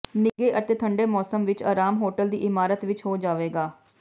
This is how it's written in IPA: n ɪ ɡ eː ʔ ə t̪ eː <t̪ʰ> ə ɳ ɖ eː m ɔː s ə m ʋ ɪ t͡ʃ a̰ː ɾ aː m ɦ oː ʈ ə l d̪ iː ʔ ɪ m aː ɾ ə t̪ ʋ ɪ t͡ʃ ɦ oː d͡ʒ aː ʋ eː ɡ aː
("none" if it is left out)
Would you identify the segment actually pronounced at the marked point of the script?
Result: t̪ʰ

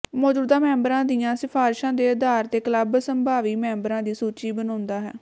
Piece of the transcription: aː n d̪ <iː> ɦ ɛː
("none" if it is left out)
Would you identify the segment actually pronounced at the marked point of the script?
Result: aː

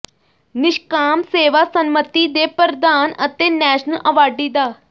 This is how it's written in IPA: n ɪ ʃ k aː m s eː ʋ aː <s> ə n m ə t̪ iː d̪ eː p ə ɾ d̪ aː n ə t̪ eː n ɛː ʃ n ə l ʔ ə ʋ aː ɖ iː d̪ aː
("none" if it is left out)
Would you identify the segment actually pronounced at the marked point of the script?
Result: s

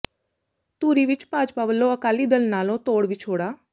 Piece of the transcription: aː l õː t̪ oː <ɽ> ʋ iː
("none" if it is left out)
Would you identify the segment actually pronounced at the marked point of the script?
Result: ɽ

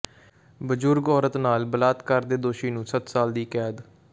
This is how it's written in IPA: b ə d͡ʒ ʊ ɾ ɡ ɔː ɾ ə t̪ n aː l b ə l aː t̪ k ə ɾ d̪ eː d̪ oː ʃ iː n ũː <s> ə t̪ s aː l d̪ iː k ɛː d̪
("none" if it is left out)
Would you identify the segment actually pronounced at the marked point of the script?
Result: s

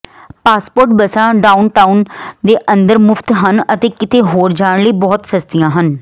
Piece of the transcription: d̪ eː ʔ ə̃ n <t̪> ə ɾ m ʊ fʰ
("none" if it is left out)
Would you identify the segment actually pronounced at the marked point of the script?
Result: d̪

